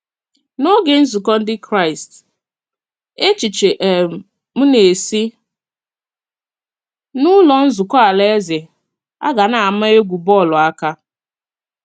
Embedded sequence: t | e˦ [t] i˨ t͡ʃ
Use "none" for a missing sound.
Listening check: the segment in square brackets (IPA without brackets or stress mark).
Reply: t͡ʃ